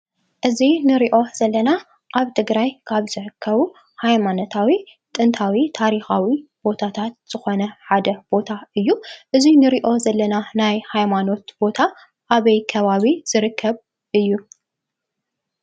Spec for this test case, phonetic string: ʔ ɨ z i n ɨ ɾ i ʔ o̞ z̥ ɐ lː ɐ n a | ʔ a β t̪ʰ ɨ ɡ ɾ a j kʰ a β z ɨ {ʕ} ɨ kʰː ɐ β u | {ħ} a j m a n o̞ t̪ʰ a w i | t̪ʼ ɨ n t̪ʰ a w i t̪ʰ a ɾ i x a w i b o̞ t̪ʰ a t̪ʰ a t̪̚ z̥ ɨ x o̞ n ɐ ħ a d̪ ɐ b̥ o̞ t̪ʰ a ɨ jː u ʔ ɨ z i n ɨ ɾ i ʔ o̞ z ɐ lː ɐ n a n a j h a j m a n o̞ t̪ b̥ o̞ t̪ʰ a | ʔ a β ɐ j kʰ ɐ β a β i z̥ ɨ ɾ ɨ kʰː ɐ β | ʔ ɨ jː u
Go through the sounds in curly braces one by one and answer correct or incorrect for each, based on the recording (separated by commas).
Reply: correct, incorrect